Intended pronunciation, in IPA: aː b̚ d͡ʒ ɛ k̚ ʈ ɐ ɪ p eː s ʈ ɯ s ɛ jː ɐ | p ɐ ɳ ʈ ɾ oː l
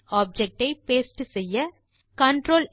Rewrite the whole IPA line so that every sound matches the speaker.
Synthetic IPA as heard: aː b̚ d͡ʒ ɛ k̚ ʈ ɐ ɪ p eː s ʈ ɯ s ɛ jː ɐ | k ɐ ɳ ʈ ɾ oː l